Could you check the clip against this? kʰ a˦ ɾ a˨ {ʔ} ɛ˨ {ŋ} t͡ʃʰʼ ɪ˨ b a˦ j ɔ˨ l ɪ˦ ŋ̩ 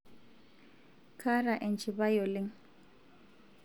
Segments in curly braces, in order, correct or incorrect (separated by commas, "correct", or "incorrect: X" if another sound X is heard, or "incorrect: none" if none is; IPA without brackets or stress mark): correct, incorrect: n